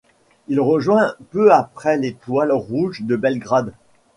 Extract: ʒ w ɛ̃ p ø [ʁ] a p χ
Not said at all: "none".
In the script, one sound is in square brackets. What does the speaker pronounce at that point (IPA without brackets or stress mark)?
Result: none